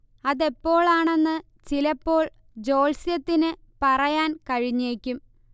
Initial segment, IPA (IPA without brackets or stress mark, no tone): ɐ